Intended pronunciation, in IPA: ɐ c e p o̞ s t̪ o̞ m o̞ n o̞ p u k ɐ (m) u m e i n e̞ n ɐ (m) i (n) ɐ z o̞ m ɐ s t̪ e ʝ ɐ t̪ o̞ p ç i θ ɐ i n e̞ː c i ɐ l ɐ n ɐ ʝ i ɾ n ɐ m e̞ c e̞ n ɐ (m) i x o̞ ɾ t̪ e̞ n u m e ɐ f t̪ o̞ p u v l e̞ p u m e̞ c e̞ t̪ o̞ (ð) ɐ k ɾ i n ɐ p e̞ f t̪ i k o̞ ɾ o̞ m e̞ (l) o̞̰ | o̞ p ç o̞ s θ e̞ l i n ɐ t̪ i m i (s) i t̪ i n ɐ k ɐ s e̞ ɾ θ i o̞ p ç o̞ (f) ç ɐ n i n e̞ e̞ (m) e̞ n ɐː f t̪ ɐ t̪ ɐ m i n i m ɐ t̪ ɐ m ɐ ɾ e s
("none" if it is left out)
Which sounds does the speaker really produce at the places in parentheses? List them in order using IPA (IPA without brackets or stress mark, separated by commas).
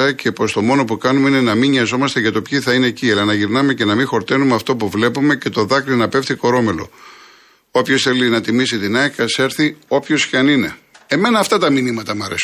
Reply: n, m, ɲ, m, ð, l, s, s, m